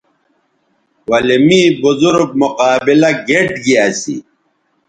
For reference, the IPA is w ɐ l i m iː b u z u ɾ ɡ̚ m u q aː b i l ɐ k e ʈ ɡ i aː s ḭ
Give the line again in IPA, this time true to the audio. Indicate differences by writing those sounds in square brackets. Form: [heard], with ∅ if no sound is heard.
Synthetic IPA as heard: w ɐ l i m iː b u z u ɾ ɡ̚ m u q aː b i l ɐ [ɡ] e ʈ ɡ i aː s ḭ